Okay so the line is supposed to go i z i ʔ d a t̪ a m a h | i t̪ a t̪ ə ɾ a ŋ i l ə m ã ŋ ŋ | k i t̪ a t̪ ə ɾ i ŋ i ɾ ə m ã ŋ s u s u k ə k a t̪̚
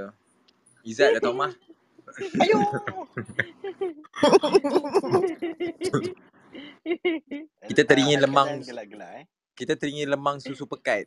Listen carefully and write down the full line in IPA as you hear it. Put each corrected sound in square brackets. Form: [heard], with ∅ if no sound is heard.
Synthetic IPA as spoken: i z [a] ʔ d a t̪ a m a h | i t̪ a t̪ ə ɾ [i] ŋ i l ə m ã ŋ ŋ | k i t̪ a t̪ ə ɾ i ŋ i [l] ə m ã ŋ s u s u [p] ə k a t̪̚